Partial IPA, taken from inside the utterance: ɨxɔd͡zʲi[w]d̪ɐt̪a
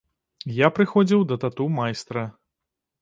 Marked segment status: correct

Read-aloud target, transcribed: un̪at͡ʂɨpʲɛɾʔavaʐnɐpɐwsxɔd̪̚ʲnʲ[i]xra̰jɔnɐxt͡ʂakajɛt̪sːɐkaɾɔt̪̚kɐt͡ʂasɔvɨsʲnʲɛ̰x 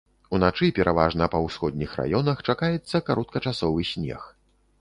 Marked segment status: correct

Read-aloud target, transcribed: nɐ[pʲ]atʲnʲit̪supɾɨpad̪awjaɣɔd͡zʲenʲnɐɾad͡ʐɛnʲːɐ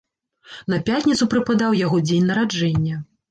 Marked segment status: correct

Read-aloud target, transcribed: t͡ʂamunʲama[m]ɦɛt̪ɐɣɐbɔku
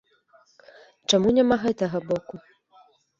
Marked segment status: incorrect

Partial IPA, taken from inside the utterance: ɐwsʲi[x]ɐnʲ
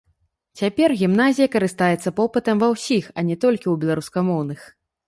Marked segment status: correct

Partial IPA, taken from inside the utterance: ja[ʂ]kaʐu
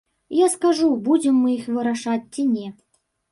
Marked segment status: incorrect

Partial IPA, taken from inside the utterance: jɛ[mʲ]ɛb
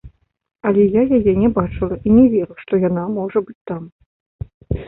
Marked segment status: incorrect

